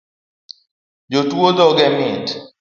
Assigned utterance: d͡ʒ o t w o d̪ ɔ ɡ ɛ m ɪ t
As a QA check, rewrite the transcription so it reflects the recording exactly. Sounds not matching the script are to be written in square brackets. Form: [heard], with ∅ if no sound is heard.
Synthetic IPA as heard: d͡ʒ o t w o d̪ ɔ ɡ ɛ m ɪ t